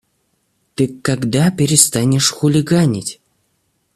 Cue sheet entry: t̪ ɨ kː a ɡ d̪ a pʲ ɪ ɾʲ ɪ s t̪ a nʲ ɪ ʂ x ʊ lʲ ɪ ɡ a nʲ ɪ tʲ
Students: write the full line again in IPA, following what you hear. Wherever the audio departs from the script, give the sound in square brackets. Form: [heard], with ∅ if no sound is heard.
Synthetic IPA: t̪ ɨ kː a ɡ d̪ a pʲ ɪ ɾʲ ɪ s t̪ a nʲ ɪ ʂ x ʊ lʲ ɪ ɡ a nʲ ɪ tʲ

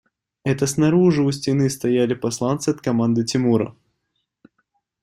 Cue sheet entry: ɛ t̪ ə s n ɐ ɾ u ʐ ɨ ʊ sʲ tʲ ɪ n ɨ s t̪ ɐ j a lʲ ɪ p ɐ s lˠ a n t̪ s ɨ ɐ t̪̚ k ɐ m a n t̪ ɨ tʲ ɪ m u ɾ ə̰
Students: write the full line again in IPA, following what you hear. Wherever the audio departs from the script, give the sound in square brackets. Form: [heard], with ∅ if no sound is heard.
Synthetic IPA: ɛ t̪ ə s n ɐ ɾ u ʐ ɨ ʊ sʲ tʲ ɪ n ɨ s t̪ ɐ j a lʲ ɪ p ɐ s lˠ a n t̪ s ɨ ɐ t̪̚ k ɐ m a n [d̪] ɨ tʲ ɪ m u ɾ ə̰

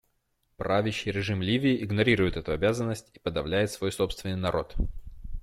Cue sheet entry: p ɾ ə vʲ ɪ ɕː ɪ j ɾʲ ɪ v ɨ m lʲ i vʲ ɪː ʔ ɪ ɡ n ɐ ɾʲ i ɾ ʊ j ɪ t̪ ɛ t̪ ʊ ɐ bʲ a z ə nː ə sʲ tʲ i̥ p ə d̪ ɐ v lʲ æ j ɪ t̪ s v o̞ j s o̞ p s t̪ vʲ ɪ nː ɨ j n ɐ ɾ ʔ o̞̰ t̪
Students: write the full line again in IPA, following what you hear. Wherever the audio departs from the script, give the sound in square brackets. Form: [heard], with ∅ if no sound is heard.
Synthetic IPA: p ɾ [a] vʲ ɪ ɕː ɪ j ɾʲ ɪ [ʐ] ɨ m lʲ i vʲ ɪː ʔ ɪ ɡ n ɐ ɾʲ i ɾ ʊ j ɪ t̪ ɛ t̪ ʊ ɐ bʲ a z ə nː ə sʲ tʲ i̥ p ə d̪ ɐ v lʲ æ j ɪ t̪ s v o̞ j s o̞ p s t̪ vʲ ɪ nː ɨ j n ɐ ɾ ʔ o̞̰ t̪

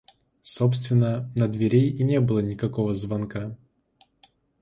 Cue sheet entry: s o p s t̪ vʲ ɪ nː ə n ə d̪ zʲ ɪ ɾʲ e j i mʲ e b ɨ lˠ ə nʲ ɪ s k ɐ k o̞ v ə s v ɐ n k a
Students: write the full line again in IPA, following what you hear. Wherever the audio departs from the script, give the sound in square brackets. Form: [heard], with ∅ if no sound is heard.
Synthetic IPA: s o p s t̪ vʲ ɪ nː ə n ə d̪ [vʲ] ɪ ɾʲ e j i [nʲ] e b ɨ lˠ ə nʲ ɪ [∅] k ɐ k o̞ v ə [z] v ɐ n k a

